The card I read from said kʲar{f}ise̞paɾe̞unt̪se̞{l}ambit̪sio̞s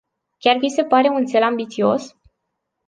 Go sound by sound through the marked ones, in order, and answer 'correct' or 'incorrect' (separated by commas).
incorrect, correct